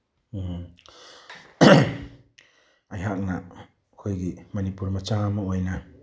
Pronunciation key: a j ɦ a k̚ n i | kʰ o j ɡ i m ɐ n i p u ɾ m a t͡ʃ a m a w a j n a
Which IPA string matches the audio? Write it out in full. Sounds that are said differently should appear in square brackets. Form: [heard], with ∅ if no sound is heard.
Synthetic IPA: a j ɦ a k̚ n [a] | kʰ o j ɡ i m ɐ n i p u ɾ m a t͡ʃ a m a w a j n a